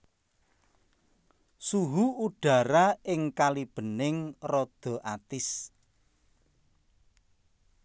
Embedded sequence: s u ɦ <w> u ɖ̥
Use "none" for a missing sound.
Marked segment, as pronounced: u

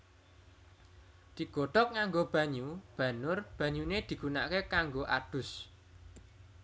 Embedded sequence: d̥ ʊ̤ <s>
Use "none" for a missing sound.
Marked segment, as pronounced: s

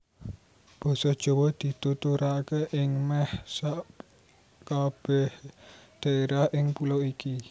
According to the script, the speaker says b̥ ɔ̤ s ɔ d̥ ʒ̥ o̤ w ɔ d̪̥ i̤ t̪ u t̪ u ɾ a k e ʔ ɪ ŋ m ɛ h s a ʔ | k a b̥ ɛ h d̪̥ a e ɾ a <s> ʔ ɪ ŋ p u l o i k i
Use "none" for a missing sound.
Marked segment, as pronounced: h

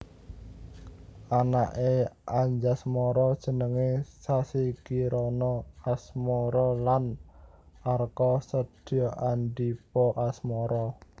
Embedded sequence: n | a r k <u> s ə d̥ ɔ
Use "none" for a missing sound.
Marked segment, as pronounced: ɔ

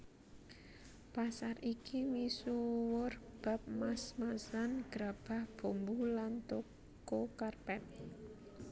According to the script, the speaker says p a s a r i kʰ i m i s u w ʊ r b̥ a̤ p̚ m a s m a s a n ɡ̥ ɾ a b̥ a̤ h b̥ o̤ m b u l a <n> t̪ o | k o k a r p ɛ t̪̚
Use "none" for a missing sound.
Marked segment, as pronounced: n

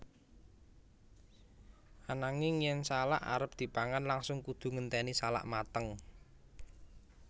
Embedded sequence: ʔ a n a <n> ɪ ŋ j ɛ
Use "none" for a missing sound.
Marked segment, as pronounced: ŋ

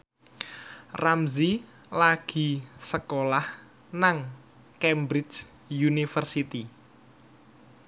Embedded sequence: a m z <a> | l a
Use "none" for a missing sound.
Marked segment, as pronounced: i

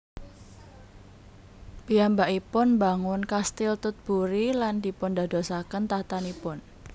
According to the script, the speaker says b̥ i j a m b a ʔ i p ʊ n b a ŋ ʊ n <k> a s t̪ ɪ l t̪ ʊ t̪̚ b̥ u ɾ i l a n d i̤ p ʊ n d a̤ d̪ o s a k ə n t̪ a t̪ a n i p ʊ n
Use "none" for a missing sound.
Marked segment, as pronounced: k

